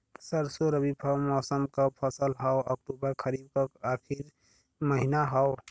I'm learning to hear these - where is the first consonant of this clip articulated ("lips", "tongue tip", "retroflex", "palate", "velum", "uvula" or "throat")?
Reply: tongue tip